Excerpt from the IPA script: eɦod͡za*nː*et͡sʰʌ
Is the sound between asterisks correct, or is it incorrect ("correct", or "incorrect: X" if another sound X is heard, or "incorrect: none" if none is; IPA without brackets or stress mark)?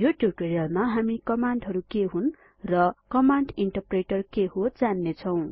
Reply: correct